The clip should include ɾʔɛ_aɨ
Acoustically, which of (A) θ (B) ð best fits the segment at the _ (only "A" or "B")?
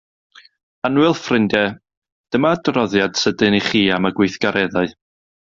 B